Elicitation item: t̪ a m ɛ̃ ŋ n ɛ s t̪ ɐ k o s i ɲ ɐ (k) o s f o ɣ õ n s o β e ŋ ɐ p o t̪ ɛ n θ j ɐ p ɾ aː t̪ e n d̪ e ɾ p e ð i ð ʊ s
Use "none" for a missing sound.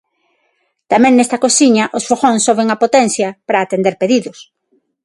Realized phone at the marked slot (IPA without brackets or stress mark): ʔ